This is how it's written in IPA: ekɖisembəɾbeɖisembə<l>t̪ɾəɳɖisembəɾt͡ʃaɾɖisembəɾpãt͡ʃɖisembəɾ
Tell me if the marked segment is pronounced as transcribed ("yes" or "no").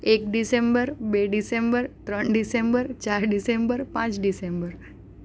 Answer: no